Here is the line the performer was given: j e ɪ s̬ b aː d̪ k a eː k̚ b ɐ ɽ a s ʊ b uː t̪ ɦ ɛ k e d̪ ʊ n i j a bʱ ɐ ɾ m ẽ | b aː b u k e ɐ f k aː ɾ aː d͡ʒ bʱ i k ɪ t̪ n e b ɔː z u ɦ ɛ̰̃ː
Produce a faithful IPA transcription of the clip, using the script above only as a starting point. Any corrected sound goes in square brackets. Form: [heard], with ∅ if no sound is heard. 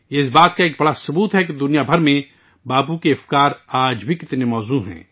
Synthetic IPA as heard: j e ɪ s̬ b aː [t̪] k a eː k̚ b ɐ ɽ a s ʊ b uː t̪ ɦ ɛ k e d̪ ʊ n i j a bʱ ɐ ɾ m ẽ | b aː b u k e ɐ f k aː ɾ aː d͡ʒ bʱ i k ɪ t̪ n e [m] ɔː z u ɦ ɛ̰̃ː